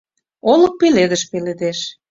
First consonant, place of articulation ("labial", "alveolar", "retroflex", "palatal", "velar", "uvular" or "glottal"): alveolar